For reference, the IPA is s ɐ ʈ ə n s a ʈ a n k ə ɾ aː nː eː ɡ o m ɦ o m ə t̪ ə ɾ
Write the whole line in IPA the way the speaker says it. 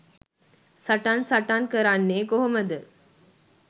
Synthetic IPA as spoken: s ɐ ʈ a n s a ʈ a n k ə ɾ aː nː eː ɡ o ɦ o m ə d̪ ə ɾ

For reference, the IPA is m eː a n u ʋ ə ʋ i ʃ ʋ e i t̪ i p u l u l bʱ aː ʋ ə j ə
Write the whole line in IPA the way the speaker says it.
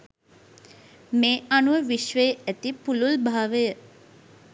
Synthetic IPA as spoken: m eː a n u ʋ ə ʋ i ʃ ʋ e æ t̪ i p u l u l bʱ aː ʋ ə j ə

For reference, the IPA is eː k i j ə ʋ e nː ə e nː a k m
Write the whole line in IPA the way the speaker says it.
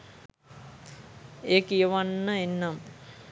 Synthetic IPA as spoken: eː k i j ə ʋ a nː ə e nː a m

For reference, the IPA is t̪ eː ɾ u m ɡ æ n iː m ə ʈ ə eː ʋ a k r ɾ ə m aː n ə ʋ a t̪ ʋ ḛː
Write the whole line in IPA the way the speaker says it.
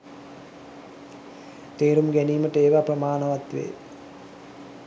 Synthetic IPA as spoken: t̪ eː ɾ u m ɡ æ n iː m ə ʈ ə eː ʋ a p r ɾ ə m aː n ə ʋ a t̪ ʋ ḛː

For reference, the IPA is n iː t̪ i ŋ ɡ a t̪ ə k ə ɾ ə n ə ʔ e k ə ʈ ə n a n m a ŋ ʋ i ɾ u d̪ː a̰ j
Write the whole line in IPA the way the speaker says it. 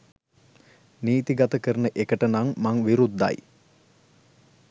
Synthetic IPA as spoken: n iː t̪ i ɡ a t̪ ə k ə ɾ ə n ə ʔ e k ə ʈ ə n a ŋ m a ŋ ʋ i ɾ u d̪ː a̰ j

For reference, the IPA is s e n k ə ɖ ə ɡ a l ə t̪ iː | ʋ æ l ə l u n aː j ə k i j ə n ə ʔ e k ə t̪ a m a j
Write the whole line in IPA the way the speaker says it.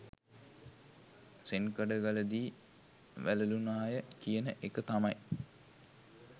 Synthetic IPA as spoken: s e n k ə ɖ ə ɡ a l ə d̪ iː | ʋ æ l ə l u n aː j ə k i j ə n ə ʔ e k ə t̪ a m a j

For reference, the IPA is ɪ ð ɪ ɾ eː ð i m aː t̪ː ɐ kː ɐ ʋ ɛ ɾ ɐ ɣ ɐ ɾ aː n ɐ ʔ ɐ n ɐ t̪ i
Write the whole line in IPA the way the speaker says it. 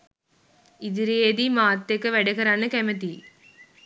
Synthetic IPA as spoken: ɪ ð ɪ ɾ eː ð i m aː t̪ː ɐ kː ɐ ʋ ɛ ɽ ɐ ɣ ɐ ɾ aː n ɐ k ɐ m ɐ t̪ i

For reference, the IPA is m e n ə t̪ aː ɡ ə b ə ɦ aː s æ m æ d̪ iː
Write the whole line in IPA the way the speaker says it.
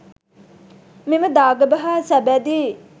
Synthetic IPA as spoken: m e m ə d̪ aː ɡ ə b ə ɦ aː s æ b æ d̪ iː

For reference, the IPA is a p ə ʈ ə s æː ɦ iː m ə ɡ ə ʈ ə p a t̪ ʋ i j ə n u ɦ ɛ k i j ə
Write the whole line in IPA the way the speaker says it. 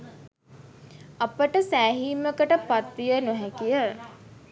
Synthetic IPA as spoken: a p ə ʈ ə s æː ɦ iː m ə k ə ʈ ə p a t̪ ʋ i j ə n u ɦ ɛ k i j ə

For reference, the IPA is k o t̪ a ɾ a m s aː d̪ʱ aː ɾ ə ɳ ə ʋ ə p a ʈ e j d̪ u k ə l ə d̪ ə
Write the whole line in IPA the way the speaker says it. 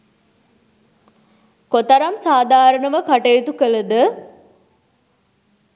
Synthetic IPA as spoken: k o t̪ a ɾ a m s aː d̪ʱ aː ɾ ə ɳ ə ʋ ə k a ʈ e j t̪ u k ə l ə d̪ ə

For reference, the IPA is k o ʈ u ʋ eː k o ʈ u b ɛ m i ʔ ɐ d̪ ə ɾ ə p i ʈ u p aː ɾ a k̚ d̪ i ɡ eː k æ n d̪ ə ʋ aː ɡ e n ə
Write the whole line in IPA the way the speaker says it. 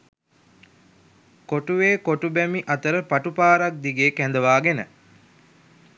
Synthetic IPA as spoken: k o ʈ u ʋ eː k o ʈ u b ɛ m i ʔ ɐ t̪ ə ɾ ə p a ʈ u p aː ɾ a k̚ d̪ i ɡ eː k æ n d̪ ə ʋ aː ɡ e n ə

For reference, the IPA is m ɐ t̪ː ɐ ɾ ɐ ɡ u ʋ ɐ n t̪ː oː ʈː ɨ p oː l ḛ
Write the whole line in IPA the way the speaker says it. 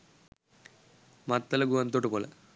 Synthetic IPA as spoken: m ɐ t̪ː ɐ l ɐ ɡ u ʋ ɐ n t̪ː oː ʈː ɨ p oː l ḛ

